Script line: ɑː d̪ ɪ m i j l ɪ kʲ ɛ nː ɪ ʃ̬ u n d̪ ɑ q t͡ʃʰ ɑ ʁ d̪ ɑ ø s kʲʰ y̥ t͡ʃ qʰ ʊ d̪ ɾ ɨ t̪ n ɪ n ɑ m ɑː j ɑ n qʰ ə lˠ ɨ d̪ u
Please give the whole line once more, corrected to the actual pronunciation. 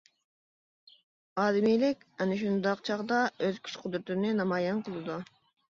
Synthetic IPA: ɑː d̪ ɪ m i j l ɪ kʲ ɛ n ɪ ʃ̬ u n d̪ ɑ q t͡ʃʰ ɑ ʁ d̪ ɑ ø z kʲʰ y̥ t͡ʃ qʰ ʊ d̪ ɾ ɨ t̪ n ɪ n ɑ m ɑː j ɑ n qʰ ə lˠ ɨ d̪ u

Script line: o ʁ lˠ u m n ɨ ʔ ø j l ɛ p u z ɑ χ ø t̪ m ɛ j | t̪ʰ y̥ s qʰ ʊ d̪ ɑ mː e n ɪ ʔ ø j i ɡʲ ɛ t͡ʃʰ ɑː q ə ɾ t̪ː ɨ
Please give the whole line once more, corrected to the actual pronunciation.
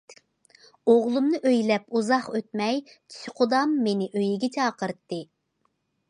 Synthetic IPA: o ʁ lˠ u m n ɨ ʔ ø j l ɛ p u z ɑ χ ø t̪ m ɛ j | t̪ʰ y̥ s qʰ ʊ d̪ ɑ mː e n ɪ ʔ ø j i ɡʲ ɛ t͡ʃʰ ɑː q ə ɾ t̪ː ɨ

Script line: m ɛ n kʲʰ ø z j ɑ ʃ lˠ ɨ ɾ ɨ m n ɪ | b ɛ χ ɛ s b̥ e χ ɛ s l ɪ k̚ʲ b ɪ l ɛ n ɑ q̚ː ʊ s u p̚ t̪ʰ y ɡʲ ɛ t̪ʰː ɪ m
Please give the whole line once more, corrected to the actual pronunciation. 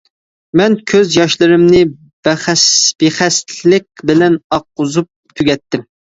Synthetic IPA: m ɛ n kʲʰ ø z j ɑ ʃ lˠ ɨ ɾ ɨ m n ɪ | b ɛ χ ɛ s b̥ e χ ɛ s l ɪ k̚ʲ b ɪ l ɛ n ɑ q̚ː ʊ z u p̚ t̪ʰ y ɡʲ ɛ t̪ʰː ɪ m

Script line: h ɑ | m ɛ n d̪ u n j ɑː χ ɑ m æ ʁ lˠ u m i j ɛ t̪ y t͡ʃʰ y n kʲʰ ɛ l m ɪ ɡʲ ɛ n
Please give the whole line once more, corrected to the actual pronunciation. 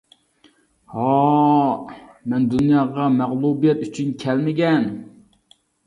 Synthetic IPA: h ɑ | m ɛ n d̪ u n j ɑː ʁ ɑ m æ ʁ lˠ u b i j ɛ t̪ y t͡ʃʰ y n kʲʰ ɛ l m ɪ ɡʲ ɛ n

